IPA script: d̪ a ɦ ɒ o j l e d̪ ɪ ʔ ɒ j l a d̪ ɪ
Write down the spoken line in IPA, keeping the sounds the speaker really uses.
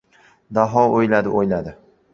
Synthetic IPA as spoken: d̪ a ɦ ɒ o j l a d̪ ɪ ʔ o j l a d̪ ɪ